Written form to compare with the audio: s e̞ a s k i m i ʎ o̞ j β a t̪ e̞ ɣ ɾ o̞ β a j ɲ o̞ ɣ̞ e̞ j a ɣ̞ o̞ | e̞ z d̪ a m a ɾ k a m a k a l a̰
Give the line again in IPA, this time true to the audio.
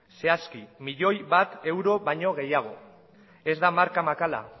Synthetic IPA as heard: s e̞ a s k i m i ʎ o̞ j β a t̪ e̞ w ɾ o̞ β a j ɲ o̞ ɣ̞ e̞ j a ɣ̞ o̞ | e̞ z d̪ a m a ɾ k a m a k a l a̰